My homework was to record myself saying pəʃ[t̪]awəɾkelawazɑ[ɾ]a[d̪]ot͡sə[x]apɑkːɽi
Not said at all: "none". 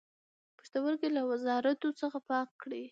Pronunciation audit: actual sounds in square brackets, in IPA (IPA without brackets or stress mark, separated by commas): t̪, ɾ, t̪, x